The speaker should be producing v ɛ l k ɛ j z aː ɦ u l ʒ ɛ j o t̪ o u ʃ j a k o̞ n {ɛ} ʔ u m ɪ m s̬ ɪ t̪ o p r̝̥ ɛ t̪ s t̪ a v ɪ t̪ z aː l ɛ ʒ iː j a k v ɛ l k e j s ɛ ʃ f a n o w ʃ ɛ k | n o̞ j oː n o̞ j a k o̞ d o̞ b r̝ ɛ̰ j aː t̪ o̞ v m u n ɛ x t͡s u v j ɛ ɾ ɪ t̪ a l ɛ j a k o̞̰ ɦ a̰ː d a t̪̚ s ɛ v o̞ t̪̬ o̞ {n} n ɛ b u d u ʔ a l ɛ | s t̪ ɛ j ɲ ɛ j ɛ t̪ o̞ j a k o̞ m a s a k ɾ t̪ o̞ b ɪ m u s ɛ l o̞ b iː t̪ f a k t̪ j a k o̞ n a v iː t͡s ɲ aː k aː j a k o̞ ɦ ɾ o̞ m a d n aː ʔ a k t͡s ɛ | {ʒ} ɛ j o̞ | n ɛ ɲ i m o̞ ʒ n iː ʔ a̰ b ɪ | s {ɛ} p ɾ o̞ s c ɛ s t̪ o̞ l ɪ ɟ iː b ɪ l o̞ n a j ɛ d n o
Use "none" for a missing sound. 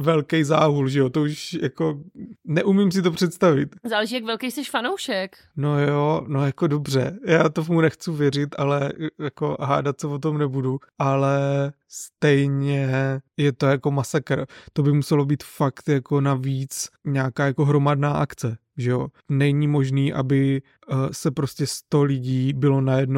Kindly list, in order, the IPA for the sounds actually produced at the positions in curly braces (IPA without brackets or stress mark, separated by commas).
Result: ɛ, m, ʒ, ɛ